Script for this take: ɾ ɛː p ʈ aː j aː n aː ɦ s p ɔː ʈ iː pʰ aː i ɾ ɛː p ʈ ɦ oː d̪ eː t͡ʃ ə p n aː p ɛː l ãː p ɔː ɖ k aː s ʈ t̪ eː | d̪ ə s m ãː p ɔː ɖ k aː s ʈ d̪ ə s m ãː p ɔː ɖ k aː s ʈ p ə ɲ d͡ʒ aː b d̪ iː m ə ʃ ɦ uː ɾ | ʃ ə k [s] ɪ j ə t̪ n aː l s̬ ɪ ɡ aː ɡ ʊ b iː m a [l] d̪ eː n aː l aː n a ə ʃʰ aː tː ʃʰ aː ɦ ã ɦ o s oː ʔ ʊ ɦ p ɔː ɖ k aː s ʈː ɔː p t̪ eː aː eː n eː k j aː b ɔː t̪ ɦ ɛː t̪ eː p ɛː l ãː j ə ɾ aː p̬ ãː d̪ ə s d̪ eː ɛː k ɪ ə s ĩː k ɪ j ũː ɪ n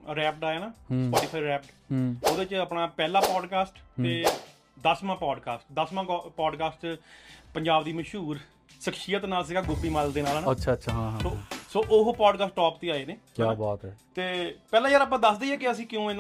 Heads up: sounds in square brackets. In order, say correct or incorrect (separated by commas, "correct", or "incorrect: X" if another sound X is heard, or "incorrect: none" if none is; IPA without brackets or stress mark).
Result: incorrect: ʃ, correct